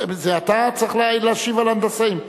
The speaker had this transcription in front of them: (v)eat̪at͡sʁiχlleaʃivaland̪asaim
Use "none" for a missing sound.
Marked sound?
z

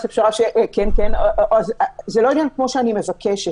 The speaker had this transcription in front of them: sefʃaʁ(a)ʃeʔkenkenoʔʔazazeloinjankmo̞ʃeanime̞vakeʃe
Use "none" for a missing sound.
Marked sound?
a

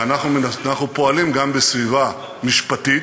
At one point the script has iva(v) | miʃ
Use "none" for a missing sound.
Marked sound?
none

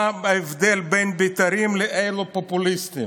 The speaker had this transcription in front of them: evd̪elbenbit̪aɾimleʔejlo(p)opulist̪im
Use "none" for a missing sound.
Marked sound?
p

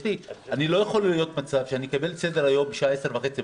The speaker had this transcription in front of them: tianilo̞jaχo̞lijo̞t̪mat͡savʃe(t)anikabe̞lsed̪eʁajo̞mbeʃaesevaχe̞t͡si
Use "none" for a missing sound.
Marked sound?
none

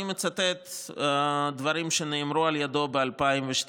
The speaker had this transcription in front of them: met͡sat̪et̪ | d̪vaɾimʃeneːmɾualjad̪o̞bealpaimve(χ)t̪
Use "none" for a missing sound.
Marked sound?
ʃ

